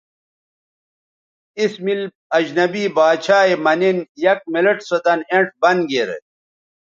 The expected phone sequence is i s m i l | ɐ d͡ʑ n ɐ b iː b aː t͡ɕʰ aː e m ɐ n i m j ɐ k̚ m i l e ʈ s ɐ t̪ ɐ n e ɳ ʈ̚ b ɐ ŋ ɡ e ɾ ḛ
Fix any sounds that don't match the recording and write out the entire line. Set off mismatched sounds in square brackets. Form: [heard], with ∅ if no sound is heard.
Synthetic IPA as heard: i s m i l | ɐ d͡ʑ n ɐ b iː b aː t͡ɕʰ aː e m ɐ n i [n] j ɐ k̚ m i l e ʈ s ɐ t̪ ɐ n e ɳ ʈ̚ b ɐ [n] ɡ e ɾ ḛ